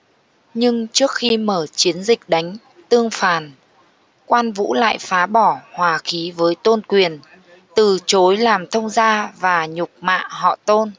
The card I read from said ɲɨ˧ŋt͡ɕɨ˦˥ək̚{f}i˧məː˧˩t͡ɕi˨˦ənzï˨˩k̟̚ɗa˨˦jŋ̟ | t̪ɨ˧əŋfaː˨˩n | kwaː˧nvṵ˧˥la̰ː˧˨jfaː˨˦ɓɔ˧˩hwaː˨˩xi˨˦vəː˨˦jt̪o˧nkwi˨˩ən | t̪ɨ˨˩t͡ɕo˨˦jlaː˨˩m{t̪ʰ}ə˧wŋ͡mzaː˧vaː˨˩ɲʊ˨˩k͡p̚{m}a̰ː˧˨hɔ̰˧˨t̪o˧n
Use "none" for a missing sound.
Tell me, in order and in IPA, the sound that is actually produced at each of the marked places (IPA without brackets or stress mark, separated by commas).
x, t̪ʰ, m